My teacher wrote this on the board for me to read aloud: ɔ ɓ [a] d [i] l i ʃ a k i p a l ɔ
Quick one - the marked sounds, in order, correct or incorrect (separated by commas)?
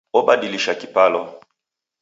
correct, correct